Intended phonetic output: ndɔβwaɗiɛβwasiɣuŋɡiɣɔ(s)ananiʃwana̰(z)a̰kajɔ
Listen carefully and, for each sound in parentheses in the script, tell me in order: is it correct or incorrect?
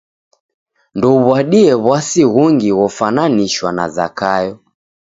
incorrect: f, correct

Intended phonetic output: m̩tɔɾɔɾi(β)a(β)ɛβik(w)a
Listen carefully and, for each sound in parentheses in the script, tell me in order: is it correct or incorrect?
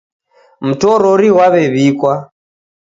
incorrect: w, correct, correct

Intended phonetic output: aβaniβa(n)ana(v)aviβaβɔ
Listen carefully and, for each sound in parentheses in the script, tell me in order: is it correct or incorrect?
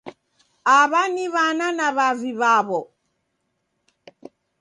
correct, incorrect: β

